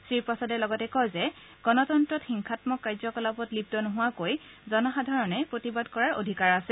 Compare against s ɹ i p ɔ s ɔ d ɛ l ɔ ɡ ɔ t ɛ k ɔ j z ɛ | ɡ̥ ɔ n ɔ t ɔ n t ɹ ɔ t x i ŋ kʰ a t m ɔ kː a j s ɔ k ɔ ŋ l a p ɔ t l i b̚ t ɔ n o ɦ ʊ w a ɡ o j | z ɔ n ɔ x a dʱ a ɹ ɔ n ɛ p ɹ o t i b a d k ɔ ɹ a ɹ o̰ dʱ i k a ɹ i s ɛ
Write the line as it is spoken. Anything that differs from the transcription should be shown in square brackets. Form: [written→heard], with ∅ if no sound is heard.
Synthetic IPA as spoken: s ɹ i p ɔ s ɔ d ɛ l ɔ ɡ ɔ t ɛ k ɔ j z ɛ | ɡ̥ ɔ n ɔ t ɔ n t ɹ ɔ t x i ŋ kʰ a t m ɔ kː a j [s→z] ɔ k ɔ [ŋ→∅] l a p ɔ t l i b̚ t ɔ n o ɦ ʊ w a [ɡ→k] o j | z ɔ n ɔ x a dʱ a ɹ ɔ n ɛ p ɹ o t i b a d k ɔ ɹ a ɹ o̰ dʱ i k a ɹ [i→a] s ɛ